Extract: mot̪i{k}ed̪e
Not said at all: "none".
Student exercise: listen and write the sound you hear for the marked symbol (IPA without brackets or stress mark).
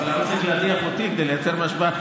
k